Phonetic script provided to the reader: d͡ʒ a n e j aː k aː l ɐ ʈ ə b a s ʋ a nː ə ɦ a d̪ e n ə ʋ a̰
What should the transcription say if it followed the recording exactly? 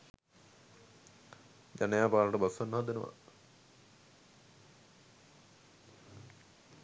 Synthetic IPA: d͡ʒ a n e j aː p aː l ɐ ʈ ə b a s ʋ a nː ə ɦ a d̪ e n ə ʋ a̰